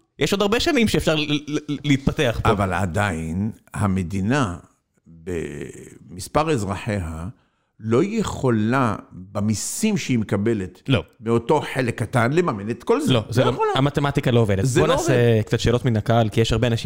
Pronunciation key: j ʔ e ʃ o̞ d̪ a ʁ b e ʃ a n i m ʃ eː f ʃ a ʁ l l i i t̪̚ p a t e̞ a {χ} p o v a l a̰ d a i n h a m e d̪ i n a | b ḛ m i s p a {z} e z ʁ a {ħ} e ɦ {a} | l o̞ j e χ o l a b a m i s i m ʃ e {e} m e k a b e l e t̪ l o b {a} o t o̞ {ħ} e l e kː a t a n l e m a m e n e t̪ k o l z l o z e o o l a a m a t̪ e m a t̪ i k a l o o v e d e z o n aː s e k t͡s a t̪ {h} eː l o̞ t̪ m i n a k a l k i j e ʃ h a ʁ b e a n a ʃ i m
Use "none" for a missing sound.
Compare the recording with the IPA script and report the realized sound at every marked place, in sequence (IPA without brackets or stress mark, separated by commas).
χ, ʁ, ħ, a, i, e, ħ, ʃ